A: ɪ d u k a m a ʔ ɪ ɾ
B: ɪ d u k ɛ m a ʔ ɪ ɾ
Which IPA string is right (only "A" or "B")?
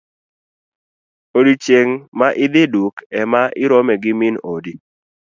B